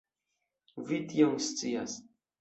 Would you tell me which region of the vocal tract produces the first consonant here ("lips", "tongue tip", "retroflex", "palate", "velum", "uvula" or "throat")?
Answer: lips